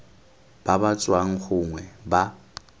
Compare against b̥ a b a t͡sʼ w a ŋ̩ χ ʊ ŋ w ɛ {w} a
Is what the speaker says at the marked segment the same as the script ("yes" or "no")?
no